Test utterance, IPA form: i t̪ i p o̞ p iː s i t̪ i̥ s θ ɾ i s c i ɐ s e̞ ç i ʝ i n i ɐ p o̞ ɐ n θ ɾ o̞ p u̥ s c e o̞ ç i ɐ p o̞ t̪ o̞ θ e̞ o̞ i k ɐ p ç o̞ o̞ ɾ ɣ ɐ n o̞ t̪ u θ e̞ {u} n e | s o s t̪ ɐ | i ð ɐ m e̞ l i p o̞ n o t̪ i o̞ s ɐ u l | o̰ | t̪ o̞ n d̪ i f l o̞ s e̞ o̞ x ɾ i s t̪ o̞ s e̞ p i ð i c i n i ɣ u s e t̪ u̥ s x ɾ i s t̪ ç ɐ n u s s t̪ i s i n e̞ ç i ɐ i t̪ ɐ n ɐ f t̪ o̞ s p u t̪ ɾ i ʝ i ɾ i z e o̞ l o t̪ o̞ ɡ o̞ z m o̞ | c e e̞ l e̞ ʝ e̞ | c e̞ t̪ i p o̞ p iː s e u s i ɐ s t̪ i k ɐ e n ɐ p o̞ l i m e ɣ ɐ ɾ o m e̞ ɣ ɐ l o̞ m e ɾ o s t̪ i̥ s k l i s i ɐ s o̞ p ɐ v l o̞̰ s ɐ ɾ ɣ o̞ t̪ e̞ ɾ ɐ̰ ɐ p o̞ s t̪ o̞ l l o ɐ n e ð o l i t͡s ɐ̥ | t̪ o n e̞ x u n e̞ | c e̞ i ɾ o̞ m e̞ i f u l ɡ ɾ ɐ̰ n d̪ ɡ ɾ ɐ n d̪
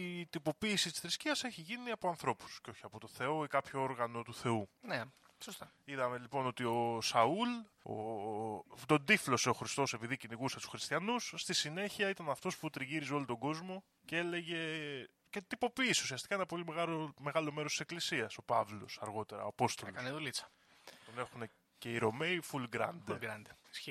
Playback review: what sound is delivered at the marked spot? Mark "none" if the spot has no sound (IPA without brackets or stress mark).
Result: u